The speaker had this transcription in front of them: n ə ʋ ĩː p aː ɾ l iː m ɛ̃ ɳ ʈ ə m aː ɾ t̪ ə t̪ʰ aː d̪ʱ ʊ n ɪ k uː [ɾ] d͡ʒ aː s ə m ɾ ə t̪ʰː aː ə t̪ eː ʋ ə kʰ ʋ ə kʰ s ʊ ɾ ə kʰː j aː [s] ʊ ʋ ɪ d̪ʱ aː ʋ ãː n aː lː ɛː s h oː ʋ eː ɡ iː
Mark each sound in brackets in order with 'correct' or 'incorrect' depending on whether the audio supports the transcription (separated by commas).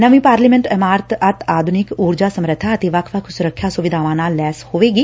correct, correct